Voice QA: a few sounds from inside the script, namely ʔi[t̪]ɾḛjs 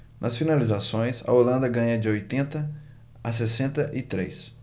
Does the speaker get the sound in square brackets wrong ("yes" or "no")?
no